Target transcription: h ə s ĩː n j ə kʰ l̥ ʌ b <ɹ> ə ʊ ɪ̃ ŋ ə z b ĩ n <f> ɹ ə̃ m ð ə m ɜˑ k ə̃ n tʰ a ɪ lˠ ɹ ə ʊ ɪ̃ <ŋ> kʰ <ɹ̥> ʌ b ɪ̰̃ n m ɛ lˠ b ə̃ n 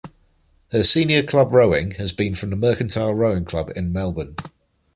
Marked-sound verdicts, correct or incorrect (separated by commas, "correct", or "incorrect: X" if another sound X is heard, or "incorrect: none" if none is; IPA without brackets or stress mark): correct, correct, correct, incorrect: l̥